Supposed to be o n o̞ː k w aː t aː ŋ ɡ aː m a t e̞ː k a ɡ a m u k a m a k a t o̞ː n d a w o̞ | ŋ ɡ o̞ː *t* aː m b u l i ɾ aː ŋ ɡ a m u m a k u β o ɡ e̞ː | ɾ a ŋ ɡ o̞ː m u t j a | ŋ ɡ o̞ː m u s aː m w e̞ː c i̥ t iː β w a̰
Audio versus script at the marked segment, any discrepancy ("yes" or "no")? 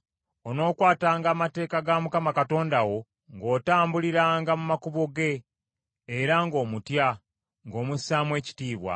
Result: no